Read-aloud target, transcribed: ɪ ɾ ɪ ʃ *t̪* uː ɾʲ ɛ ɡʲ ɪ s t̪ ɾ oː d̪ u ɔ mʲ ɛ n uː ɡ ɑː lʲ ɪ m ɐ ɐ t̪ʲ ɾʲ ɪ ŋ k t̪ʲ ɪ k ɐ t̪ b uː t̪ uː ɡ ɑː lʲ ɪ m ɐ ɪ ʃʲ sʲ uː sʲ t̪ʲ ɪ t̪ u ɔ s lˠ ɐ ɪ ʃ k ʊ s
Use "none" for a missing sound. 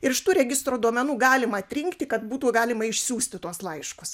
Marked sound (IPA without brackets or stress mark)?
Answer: t̪